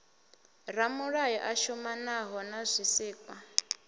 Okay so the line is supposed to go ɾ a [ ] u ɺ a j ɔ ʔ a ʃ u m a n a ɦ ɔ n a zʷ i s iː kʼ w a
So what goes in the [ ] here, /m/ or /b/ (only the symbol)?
m